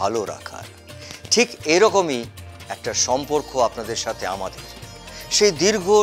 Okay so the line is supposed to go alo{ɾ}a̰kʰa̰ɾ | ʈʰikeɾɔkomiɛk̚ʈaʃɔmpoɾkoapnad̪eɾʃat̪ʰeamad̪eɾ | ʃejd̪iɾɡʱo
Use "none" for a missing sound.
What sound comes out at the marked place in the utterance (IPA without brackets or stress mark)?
ɾ